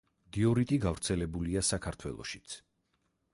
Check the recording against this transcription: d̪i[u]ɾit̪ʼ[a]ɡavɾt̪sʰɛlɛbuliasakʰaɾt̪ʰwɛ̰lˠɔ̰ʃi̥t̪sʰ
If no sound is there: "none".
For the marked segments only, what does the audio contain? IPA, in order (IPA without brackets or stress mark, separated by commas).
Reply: ɔ, i